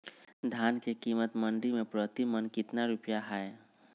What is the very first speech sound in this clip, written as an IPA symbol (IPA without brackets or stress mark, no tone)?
d̪ʱ